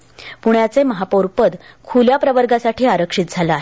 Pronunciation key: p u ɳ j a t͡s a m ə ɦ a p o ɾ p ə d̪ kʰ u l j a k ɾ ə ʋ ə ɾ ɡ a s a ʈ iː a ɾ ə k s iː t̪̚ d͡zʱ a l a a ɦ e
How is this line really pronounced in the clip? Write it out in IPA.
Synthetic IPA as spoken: p u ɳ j a t͡s e m ə ɦ a p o ɾ p ə d̪ kʰ u l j a p ɾ ə ʋ ə ɾ ɡ a s a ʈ iː a ɾ ə k ʂ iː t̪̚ d͡zʱ a l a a ɦ e